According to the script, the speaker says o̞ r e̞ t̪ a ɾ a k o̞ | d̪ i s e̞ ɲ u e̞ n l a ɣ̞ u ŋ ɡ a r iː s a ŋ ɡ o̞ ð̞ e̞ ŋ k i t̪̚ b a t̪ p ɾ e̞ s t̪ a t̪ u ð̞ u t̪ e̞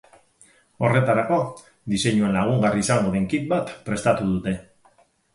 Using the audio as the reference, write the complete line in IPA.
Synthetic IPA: o̞ r e̞ t̪ a ɾ a k o̞ | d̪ i s e̞ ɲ u e̞ n l a ɣ̞ u ŋ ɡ a r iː s a ŋ ɡ o̞ ð̞ e̞ ŋ k i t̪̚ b a t̪ p ɾ e̞ s t̪ a t̪ u ð̞ u t̪ e̞